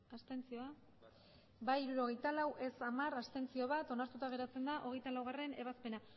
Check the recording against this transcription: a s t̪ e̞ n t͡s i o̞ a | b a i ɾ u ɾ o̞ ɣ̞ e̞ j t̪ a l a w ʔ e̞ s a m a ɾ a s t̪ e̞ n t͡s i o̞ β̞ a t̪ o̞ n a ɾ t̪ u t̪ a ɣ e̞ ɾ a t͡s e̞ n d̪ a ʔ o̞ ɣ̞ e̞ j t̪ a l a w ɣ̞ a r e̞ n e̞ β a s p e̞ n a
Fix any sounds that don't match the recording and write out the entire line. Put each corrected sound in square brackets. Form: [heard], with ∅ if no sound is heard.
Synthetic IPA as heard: a s t̪ e̞ n t͡s i o̞ a | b a i ɾ u ɾ o̞ ɣ̞ e̞ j t̪ a l a w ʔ e̞ s a m a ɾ a s t̪ e̞ n t͡s i o̞ β̞ a t̪ o̞ n a ɾ t̪ u t̪ a ɣ e̞ ɾ a t͡s e̞ n d̪ a ʔ o̞ ɣ̞ e̞ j t̪ a l a w ɣ̞ a r e̞ n e̞ β a s p e̞ n a